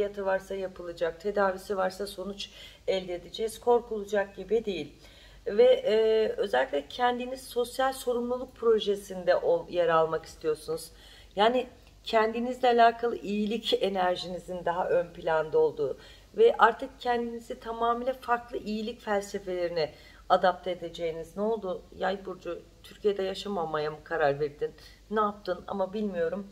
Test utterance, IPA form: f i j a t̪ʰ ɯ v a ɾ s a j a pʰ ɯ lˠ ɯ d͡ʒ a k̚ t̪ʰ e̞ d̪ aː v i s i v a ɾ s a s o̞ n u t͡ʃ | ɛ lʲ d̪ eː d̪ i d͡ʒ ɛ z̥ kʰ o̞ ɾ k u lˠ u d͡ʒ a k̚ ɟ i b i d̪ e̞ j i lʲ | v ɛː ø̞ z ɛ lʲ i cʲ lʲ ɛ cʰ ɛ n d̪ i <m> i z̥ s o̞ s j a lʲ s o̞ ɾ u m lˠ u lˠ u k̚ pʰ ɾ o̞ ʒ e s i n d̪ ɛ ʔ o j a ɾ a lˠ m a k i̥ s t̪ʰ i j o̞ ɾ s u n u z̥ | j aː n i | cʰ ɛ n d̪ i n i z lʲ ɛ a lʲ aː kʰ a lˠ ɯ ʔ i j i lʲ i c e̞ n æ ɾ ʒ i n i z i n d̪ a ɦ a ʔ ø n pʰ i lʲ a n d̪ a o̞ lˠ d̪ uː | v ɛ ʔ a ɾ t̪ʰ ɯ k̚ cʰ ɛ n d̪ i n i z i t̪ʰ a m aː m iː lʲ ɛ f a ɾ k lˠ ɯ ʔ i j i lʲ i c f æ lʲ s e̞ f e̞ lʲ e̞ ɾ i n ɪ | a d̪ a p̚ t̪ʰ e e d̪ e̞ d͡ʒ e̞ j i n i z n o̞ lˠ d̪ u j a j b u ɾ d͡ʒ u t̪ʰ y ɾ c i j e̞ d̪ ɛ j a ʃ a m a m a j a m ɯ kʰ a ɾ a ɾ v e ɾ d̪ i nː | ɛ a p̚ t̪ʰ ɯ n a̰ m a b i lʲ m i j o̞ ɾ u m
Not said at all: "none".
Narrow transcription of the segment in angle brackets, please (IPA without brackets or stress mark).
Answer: n